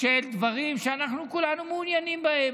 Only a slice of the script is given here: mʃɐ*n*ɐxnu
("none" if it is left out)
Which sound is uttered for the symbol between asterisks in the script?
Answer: n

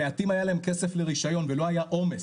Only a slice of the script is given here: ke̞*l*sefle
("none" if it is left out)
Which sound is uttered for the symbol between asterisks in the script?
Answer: none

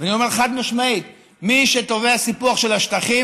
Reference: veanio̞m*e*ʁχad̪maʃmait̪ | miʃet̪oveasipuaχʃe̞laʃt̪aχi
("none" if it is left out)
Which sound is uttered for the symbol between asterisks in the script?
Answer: e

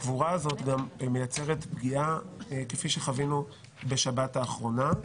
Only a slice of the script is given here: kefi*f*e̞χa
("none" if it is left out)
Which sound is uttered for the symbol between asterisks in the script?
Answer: ʃ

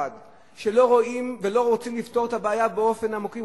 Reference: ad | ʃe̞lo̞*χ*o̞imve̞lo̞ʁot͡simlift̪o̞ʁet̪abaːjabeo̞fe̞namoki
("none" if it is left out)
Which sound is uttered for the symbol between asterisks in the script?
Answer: ʁ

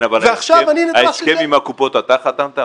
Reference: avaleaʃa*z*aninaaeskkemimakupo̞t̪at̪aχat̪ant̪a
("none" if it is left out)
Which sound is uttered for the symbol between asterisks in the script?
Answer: v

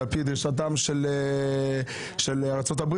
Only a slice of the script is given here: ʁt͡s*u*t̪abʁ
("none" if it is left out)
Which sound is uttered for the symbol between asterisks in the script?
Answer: o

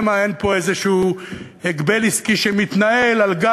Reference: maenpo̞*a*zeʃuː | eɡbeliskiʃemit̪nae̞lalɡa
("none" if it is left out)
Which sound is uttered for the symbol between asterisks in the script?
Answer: e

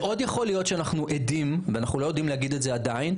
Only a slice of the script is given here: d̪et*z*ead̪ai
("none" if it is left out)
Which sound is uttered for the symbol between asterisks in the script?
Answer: z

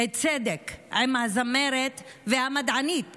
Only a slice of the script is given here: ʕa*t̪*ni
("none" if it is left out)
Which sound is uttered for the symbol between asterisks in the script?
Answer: none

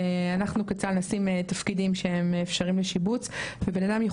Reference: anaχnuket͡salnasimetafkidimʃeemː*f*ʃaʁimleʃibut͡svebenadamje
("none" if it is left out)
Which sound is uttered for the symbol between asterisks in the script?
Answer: f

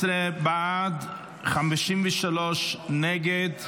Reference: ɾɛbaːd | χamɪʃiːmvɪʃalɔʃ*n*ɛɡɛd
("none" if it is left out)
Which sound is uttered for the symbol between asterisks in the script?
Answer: n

